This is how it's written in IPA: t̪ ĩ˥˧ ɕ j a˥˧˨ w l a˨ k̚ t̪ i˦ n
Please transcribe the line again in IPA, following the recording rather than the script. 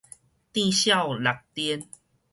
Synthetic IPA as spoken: t̪ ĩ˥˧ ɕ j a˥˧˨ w l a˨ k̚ t̪ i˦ n